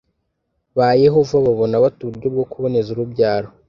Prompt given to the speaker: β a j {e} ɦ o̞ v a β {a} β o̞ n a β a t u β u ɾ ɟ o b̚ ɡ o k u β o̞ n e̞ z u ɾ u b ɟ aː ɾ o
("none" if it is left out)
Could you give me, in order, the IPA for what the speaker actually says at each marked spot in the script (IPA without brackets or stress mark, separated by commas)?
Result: e, a